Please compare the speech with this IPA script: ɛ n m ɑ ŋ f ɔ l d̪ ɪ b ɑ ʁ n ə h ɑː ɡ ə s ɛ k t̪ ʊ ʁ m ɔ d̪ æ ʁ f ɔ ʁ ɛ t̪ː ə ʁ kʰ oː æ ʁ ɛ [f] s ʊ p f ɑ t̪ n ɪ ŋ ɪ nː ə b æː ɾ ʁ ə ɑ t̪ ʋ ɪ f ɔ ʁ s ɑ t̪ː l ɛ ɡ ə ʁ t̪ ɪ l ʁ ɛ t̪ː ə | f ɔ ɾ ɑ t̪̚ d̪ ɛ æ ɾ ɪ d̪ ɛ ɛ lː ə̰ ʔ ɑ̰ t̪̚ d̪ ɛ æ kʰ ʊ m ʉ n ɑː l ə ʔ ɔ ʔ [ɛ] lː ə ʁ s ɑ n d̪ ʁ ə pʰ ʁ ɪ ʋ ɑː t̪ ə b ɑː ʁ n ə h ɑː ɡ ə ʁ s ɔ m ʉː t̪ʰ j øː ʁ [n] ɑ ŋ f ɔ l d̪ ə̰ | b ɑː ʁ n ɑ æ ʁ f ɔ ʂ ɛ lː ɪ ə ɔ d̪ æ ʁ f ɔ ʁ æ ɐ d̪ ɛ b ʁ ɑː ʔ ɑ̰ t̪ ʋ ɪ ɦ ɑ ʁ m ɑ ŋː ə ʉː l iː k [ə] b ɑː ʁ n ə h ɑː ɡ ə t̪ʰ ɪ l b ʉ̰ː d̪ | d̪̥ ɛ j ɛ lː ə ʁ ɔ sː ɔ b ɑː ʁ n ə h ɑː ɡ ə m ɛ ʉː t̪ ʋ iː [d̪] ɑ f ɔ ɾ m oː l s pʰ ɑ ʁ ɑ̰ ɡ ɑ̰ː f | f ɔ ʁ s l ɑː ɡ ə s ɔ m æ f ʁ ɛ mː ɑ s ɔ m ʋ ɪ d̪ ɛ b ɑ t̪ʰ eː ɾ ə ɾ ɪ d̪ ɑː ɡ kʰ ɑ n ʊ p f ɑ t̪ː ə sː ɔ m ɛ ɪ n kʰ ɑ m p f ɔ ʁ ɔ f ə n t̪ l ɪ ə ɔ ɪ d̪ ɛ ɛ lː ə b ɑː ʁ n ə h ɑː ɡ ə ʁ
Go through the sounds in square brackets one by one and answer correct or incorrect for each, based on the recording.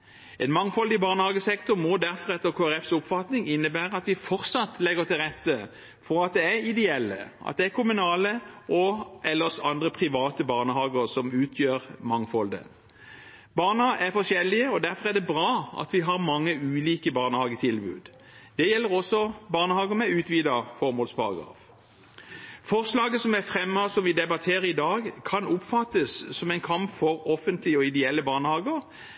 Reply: correct, correct, incorrect: m, correct, correct

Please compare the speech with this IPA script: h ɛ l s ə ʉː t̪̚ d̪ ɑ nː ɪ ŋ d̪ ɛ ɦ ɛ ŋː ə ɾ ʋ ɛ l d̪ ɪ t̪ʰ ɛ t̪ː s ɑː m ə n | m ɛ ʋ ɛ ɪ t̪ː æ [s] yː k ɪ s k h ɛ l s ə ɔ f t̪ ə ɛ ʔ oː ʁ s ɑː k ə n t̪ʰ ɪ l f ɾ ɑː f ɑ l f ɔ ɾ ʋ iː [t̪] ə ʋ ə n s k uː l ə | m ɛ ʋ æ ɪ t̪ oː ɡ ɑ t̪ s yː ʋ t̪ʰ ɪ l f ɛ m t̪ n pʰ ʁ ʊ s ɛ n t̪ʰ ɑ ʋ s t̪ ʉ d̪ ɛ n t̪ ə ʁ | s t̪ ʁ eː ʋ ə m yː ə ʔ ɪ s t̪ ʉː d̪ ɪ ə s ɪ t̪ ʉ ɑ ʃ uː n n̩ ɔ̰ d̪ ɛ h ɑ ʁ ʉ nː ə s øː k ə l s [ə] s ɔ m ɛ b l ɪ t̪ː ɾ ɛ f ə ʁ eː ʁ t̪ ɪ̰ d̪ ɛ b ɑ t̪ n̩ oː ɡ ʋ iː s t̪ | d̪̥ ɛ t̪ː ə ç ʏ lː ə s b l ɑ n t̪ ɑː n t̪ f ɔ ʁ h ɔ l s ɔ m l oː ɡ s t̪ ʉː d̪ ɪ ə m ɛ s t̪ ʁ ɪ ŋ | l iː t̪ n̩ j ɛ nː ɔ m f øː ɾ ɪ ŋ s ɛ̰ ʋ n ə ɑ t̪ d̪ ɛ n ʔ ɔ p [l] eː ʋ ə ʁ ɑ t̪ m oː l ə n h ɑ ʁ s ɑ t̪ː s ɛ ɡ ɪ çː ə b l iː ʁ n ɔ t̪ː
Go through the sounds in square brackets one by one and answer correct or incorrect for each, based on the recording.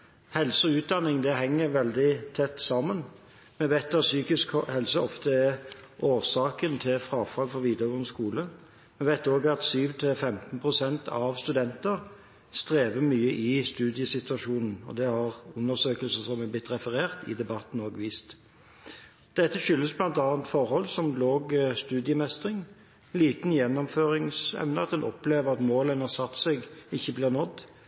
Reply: correct, incorrect: d̪, correct, correct

